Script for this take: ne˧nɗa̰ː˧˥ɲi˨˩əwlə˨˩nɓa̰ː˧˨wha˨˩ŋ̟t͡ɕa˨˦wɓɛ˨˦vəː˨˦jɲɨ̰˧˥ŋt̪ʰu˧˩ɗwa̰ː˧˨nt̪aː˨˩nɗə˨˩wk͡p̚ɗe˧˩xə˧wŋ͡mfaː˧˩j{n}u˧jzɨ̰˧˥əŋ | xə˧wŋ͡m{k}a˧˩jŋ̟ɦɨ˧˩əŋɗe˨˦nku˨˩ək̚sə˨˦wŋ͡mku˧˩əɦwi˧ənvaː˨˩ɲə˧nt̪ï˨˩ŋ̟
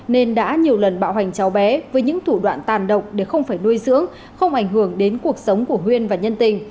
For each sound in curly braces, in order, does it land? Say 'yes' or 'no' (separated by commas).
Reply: yes, no